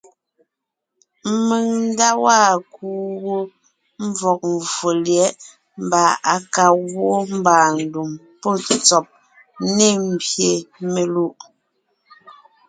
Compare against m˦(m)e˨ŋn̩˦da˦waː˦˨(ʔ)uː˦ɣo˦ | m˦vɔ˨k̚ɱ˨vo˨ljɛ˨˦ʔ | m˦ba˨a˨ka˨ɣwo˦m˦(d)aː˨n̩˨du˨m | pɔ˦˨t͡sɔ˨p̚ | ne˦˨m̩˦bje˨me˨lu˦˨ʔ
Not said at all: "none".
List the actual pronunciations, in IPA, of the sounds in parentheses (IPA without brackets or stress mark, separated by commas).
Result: m, k, b